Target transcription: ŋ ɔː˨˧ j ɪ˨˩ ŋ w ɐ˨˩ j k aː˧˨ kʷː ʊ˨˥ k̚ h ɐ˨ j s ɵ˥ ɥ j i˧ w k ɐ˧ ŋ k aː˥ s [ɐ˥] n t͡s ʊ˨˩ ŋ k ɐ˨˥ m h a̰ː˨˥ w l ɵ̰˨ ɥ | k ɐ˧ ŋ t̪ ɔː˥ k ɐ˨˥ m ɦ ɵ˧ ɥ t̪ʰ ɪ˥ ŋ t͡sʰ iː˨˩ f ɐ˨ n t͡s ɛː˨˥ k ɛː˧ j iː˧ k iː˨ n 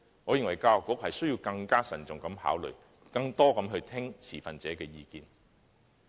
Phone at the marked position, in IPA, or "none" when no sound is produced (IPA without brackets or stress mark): ɐ˨˩